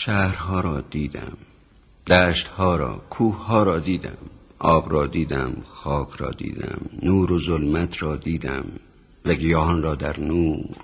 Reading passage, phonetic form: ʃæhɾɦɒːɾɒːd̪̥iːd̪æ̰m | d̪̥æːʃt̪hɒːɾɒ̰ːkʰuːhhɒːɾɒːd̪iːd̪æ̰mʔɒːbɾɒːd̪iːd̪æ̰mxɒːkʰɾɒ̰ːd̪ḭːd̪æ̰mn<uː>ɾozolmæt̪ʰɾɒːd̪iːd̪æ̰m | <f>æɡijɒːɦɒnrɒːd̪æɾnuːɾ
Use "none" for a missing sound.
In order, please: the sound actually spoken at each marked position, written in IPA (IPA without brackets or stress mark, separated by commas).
uː, v